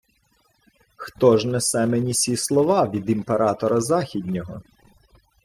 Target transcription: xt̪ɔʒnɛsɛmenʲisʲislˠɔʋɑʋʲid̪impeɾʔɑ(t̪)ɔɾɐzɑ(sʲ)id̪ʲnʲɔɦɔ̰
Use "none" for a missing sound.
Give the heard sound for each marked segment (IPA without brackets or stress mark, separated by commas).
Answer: t̪, xʲ